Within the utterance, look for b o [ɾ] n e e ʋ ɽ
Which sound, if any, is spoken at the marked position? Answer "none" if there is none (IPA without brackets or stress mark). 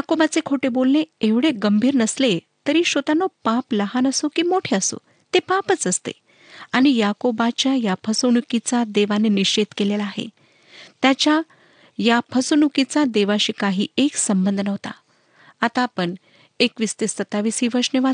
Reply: l